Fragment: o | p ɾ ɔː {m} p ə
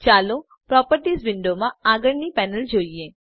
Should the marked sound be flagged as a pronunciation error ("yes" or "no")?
yes